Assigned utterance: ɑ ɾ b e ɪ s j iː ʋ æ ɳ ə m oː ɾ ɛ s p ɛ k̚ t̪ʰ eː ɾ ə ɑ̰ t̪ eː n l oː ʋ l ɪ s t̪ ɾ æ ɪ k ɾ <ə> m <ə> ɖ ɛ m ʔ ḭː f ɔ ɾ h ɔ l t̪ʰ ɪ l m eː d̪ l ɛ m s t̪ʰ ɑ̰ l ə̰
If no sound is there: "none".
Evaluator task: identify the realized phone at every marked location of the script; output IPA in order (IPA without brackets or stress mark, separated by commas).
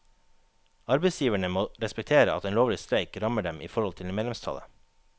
ɑ, ə